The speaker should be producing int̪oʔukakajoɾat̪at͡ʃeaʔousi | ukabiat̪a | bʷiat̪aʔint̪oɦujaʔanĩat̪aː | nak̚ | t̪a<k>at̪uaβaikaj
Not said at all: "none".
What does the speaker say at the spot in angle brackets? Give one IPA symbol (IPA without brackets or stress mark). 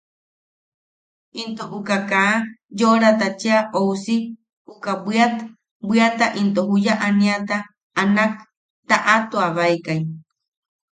ʔ